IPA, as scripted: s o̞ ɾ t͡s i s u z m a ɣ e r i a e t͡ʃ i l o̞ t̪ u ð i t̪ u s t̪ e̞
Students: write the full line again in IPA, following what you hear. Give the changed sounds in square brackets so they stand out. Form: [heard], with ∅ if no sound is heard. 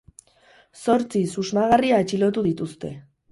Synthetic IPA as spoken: s o̞ ɾ t͡s i s u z m a ɣ [a] r i a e t͡ʃ i l o̞ t̪ u ð i t̪ u s t̪ e̞

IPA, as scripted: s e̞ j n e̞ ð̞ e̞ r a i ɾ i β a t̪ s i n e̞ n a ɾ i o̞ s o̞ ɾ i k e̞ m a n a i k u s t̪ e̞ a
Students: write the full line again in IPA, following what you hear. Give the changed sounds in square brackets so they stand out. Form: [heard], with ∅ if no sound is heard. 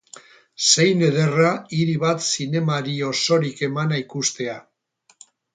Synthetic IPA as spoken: s e̞ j n e̞ ð̞ e̞ r a i ɾ i β a t̪ s i n e̞ [m] a ɾ i o̞ s o̞ ɾ i k e̞ m a n a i k u s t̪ e̞ a

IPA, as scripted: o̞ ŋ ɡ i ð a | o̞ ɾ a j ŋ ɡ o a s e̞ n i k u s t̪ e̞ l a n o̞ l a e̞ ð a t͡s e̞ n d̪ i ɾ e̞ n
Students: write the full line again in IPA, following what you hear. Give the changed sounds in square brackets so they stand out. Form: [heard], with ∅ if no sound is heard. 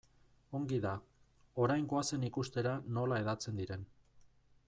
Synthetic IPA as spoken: o̞ ŋ ɡ i ð a | o̞ ɾ a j ŋ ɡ o a s e̞ n i k u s t̪ e̞ [ɾ] a n o̞ l a e̞ ð a t͡s e̞ n d̪ i ɾ e̞ n

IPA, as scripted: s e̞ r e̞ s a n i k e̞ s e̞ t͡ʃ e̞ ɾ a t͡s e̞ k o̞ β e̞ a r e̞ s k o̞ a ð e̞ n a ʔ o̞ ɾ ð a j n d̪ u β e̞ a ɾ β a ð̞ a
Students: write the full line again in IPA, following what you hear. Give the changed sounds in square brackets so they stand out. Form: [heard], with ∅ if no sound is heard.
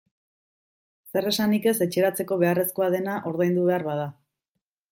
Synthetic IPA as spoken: s e̞ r e̞ s a n i k e̞ s e̞ t͡ʃ e̞ ɾ a t͡s e̞ k o̞ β e̞ a r e̞ s k o̞ a ð e̞ n a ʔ o̞ ɾ ð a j n d̪ u β e̞ a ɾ β a ð̞ a

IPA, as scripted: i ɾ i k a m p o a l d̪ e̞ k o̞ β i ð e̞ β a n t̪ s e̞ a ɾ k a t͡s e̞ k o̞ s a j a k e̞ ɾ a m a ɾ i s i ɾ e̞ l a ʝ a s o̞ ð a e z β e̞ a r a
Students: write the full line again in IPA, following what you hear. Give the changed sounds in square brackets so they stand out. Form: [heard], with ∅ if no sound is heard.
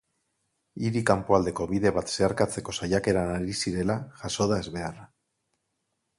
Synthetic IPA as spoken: i ɾ i k a m p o a l d̪ e̞ k o̞ β i ð e̞ β a [∅] t̪ s e̞ a ɾ k a t͡s e̞ k o̞ s a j a k e̞ ɾ a [n] a ɾ i s i ɾ e̞ l a ʝ a s o̞ ð a e z β e̞ a r a

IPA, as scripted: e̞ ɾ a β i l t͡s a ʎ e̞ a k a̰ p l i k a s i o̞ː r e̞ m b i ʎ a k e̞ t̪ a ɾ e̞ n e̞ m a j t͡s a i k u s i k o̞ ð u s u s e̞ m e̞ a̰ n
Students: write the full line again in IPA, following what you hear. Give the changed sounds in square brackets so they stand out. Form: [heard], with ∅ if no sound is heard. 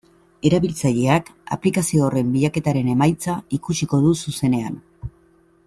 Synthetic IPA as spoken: e̞ ɾ a β i l t͡s a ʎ e̞ a k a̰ p l i k a s i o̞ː r e̞ m b i ʎ a k e̞ t̪ a ɾ e̞ n e̞ m a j t͡s a i k u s i k o̞ ð u s u s e̞ [n] e̞ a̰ n

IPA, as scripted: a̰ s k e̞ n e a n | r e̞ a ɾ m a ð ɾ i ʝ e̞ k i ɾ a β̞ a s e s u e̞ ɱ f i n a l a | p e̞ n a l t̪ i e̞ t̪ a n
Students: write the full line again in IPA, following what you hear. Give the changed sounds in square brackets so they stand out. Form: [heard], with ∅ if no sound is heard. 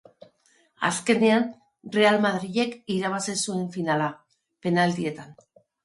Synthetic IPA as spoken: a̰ s k e̞ n e a n | r e̞ a [l] m a ð ɾ i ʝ e̞ k i ɾ a β̞ a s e s u e̞ ɱ f i n a l a | p e̞ n a l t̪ i e̞ t̪ a n

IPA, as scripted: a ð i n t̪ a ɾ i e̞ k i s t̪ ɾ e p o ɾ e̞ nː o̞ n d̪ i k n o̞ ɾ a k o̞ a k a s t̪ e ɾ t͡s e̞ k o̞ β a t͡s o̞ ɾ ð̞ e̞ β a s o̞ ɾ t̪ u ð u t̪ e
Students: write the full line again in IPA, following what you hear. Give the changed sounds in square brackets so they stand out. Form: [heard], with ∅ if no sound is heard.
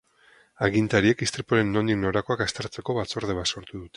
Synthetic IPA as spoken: a [ɣ] i n t̪ a ɾ i e̞ k i s t̪ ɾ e p o ɾ e̞ nː o̞ n d̪ i k n o̞ ɾ a k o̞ a k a s t̪ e ɾ t͡s e̞ k o̞ β a t͡s o̞ ɾ ð̞ e̞ β a s o̞ ɾ t̪ u ð u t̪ e

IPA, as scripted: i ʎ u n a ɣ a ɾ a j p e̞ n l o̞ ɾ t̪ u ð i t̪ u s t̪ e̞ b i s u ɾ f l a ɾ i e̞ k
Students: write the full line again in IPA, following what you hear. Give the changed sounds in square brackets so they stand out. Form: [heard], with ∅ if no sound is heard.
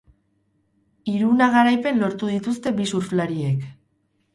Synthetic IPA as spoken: i [ɾ] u n a ɣ a ɾ a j p e̞ n l o̞ ɾ t̪ u ð i t̪ u s t̪ e̞ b i s u ɾ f l a ɾ i e̞ k

